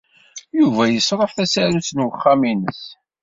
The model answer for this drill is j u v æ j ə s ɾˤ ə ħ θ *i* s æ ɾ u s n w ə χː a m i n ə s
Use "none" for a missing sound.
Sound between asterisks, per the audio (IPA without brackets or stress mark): æ